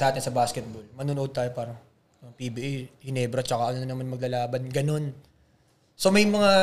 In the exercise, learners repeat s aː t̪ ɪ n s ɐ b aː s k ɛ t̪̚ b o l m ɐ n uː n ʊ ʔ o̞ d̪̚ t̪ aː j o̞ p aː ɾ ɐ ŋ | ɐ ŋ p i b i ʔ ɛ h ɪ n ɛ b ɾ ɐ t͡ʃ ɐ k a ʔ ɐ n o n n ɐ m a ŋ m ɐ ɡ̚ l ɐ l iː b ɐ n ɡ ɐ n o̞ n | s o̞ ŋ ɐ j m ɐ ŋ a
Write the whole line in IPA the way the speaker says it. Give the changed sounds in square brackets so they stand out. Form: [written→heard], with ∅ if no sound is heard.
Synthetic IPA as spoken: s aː t̪ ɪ n s ɐ b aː s k ɛ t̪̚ b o l m ɐ n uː n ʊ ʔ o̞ d̪̚ t̪ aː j o̞ p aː ɾ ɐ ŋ | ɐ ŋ p i b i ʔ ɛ h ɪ n ɛ b ɾ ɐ t͡ʃ ɐ k a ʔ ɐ n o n n ɐ m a [ŋ→n] m ɐ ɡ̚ l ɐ l [iː→aː] b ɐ n ɡ ɐ n o̞ n | s o̞ [ŋ→m] ɐ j m ɐ ŋ a